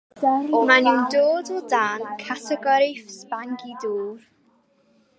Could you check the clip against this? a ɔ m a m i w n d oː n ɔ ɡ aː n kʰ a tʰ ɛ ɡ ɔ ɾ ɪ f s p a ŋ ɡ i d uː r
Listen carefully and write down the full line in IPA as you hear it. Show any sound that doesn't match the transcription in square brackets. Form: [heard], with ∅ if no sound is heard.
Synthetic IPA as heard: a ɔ m a [n] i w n d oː [d] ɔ [d] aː n kʰ a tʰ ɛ ɡ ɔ ɾ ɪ f s p a ŋ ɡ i d uː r